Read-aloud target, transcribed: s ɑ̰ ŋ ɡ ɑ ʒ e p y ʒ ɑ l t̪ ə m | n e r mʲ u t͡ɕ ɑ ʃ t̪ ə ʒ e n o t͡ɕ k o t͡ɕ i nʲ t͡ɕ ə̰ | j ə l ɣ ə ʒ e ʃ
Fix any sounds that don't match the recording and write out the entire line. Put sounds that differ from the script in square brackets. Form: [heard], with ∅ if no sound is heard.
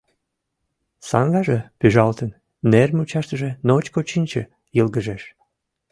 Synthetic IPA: s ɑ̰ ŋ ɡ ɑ ʒ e p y ʒ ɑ l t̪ ə [n] | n e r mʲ u t͡ɕ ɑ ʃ t̪ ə ʒ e n o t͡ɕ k o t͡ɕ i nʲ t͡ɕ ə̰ | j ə l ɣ ə ʒ e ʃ